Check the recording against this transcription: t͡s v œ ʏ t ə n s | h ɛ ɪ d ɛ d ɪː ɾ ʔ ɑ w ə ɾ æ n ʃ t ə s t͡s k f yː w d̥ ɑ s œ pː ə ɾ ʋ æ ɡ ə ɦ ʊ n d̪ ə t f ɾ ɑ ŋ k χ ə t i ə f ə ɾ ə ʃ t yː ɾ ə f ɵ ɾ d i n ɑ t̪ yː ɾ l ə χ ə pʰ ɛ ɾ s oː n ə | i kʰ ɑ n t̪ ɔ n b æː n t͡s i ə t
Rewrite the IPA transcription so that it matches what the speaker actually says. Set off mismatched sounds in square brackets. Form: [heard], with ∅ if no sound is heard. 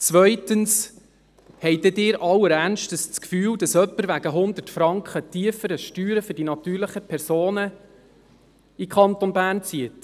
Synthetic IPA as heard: t͡s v œ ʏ t ə n s | h ɛ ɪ d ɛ d ɪː ɾ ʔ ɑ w ə ɾ æ n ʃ t ə s t͡s k f yː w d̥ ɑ s œ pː ə ɾ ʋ æ ɡ ə ɦ ʊ n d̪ ə t f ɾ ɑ ŋ k χ ə t i ə f ə ɾ ə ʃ t yː ɾ ə f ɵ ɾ d i n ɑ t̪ yː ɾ l ə χ ə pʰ ɛ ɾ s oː n ə | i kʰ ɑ n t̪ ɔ n b æː n t͡s i ə t